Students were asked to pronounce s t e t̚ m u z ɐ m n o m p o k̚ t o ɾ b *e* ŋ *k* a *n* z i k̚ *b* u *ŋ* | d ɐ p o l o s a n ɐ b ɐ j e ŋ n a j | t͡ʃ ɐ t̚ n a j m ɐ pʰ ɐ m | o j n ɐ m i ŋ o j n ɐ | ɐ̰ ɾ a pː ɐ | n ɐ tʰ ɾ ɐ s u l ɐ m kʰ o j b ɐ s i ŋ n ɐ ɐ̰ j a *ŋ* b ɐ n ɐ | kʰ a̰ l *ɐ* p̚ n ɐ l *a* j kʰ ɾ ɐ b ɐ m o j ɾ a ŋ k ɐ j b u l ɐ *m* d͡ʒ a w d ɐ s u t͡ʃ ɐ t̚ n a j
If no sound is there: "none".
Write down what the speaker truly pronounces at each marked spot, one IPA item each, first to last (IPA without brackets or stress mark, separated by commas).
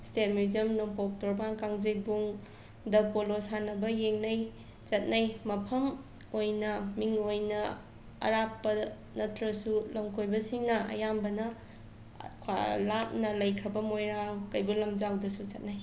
a, k, ŋ, b, ŋ, m, a, ɐ, m